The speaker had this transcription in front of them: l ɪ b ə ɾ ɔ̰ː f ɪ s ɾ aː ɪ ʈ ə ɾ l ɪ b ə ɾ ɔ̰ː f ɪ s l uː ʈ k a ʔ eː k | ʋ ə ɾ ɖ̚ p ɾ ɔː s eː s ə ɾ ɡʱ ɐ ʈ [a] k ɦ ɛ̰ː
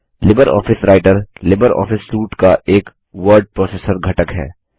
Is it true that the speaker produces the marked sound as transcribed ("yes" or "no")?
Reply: no